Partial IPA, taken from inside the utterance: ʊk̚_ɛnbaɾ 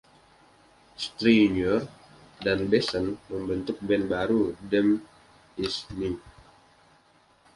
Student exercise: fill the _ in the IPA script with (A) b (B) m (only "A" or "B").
A